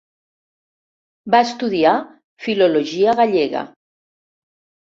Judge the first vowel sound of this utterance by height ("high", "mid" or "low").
low